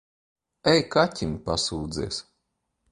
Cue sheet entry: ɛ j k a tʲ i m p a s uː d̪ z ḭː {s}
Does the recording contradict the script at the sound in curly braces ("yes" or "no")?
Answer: no